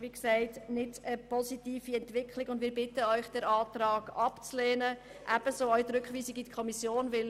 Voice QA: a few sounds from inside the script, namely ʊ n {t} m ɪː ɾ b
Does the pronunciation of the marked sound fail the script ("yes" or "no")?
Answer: yes